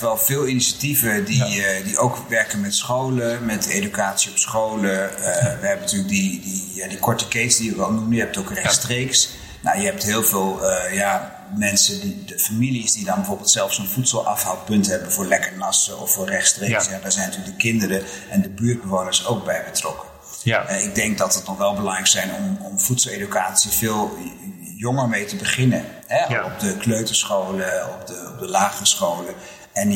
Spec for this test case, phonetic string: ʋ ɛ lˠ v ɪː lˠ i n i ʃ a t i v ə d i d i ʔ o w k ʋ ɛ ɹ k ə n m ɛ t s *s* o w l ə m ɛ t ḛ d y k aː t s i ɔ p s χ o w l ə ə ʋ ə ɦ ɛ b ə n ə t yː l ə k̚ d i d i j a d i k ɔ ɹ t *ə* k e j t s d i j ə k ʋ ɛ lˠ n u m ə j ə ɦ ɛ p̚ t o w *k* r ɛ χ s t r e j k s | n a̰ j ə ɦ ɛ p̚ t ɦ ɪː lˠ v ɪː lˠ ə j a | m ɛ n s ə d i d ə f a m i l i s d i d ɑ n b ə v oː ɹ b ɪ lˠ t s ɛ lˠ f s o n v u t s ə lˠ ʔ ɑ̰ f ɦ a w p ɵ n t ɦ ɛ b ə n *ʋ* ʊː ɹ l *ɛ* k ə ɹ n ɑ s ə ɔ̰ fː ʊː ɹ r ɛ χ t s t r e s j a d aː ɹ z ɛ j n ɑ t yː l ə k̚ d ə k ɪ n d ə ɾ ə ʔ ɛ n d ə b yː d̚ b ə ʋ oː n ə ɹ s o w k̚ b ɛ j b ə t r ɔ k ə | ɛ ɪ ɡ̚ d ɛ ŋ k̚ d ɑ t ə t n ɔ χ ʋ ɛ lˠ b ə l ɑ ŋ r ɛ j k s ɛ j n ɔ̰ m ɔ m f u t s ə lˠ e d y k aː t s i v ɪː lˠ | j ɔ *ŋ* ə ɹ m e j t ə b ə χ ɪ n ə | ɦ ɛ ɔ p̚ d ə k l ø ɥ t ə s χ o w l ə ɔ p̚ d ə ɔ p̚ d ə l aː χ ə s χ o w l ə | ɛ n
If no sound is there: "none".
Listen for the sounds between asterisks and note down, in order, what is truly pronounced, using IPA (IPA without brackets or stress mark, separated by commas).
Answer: χ, ə, k, v, ɛ, ŋ